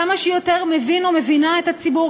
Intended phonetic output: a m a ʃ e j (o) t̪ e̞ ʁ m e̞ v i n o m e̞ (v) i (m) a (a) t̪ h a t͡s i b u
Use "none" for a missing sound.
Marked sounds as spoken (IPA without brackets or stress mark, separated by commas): o, v, n, e